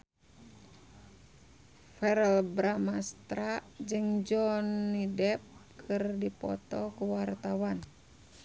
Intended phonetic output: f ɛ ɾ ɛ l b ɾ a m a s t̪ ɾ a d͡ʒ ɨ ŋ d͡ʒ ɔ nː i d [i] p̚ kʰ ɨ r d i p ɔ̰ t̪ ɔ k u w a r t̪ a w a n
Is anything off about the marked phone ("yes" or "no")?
yes